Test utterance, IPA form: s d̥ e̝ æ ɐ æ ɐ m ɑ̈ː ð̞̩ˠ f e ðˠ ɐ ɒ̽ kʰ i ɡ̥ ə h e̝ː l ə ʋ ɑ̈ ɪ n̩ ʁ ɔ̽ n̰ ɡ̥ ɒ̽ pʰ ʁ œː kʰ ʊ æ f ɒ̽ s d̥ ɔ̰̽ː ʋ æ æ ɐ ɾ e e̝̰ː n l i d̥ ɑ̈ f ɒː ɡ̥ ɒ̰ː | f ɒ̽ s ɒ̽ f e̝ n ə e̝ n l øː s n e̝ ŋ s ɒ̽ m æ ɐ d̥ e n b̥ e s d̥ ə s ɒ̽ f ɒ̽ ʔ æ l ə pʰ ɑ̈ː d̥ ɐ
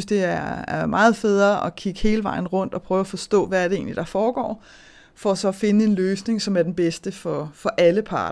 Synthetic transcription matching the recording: s d̥ e̝ æ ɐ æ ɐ m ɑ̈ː ð̞̩ˠ f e ðˠ ɐ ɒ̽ kʰ i ɡ̥ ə h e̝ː l ə ʋ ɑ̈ ɪ n̩ ʁ ɔ̽ n̰ d̥ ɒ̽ pʰ ʁ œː ʊ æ f ɒ̽ s d̥ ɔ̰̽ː ʋ æ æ ɐ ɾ e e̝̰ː n l i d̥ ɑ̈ f ɒː ɡ̥ ɒ̰ː | f ɒ̽ s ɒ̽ f e̝ n ə e̝ n l øː s n e̝ ŋ s ɒ̽ m æ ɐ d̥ e n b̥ e s d̥ ə f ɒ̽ f ɒ̽ ʔ æ l ə pʰ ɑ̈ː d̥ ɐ